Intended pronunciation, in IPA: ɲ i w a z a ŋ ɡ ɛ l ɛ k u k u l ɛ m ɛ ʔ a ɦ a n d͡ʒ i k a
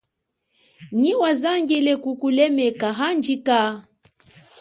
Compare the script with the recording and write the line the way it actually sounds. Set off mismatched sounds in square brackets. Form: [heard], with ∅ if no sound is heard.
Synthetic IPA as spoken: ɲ i w a z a ŋ ɡ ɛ l ɛ k u k u l ɛ m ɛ [k] a ɦ a n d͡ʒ i k a